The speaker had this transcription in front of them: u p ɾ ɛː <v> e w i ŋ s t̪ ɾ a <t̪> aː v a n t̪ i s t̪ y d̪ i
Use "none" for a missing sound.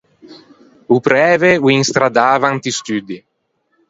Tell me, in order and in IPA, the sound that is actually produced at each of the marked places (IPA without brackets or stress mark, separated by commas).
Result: v, d̪